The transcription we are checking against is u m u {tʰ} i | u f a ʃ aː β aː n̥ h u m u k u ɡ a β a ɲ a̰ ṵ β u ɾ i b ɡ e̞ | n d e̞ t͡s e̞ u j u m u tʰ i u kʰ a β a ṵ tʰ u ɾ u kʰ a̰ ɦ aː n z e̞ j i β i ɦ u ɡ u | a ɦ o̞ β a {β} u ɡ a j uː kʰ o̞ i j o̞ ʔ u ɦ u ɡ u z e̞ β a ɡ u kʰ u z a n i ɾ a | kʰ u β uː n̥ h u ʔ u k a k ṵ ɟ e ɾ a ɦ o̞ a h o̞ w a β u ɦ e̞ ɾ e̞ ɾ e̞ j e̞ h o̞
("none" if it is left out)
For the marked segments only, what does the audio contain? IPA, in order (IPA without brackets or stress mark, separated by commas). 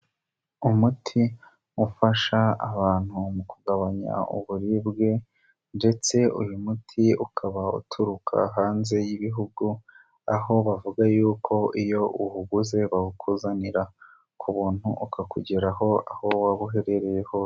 tʰ, v